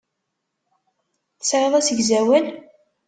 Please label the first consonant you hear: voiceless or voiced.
voiceless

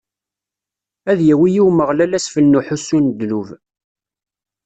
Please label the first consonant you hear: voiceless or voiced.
voiced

